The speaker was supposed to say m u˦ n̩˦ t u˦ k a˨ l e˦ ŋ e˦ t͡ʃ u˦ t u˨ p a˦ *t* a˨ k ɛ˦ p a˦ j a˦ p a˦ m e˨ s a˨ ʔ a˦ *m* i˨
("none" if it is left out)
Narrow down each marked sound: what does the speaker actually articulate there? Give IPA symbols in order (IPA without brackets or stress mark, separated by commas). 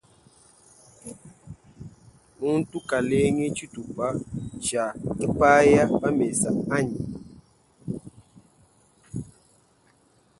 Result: t͡ʃ, ɲ